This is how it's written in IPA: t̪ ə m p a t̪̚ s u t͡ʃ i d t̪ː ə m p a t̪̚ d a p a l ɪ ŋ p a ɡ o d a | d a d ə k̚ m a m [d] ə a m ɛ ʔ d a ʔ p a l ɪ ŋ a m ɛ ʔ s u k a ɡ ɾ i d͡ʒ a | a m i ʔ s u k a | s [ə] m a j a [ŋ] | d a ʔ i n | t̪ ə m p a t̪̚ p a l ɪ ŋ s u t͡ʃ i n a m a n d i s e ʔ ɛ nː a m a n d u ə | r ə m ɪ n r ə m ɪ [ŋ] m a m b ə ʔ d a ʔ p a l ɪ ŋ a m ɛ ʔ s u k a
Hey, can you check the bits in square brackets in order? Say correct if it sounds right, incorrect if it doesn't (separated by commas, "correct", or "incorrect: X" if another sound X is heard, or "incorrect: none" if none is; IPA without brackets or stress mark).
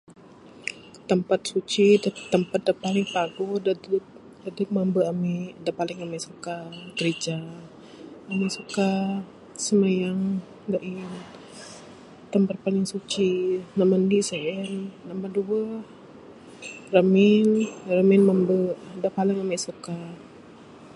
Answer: incorrect: b, correct, correct, incorrect: n